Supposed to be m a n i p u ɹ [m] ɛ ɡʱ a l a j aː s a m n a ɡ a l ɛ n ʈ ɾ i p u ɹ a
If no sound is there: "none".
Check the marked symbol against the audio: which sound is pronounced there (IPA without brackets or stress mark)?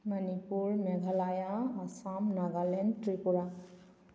m